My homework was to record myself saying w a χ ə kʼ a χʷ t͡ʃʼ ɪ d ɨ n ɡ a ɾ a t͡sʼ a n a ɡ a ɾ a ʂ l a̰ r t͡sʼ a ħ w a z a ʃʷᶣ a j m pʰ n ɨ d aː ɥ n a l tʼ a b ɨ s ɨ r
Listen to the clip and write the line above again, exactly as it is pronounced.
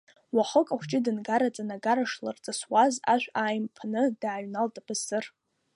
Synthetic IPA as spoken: w a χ ə kʼ a χʷ t͡ʃʼ ɪ d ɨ n ɡ a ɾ a t͡sʼ a n a ɡ a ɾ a ʂ l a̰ r t͡sʼ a s w a z a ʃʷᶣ a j m pʰ n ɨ d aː ɥ n a l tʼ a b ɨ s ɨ r